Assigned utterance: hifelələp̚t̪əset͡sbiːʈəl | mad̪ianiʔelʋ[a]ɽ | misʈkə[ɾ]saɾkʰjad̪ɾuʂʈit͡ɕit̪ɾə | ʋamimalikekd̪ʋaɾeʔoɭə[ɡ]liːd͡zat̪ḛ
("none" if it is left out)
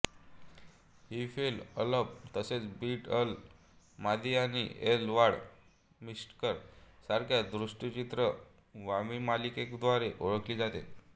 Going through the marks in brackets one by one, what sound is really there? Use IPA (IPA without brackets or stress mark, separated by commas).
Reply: a, ɾ, k